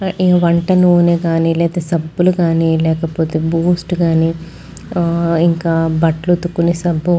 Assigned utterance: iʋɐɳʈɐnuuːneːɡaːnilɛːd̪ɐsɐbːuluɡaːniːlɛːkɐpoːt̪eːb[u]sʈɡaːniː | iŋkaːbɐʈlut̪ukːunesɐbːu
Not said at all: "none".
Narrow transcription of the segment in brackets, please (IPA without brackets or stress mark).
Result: uː